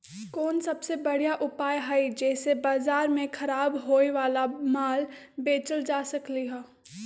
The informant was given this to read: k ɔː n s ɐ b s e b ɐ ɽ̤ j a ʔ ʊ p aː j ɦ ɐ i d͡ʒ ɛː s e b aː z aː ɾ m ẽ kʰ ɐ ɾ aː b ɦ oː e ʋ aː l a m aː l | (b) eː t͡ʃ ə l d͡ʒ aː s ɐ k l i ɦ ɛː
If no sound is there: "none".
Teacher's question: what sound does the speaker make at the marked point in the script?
b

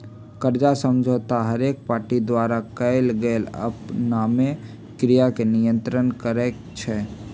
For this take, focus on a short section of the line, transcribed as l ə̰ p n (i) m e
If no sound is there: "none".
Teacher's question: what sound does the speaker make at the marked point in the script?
a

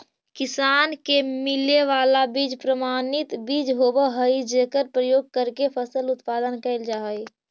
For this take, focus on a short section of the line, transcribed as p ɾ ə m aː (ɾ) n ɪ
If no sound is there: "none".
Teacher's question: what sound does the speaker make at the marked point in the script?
none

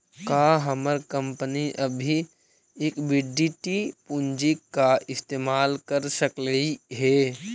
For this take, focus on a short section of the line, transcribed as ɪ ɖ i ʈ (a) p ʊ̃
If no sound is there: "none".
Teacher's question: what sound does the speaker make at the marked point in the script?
i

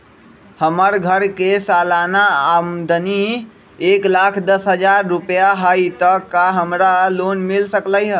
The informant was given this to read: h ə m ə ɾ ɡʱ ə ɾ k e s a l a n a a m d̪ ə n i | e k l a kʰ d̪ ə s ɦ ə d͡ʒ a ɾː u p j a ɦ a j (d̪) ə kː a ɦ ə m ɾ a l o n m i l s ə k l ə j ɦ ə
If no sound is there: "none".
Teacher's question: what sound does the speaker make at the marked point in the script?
t̪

